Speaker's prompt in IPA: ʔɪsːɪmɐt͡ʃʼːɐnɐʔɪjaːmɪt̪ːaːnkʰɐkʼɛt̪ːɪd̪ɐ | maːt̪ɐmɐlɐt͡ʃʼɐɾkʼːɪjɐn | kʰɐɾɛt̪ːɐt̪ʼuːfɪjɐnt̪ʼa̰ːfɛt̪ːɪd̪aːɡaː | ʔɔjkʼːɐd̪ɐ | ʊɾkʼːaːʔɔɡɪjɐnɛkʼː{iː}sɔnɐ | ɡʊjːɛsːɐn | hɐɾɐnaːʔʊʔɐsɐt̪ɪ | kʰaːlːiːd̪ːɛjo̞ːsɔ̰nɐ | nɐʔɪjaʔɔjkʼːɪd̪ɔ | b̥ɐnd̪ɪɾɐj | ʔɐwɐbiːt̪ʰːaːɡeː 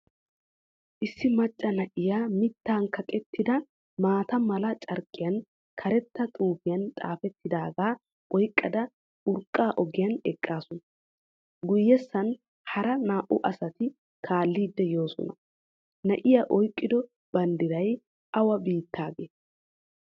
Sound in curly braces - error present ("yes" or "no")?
yes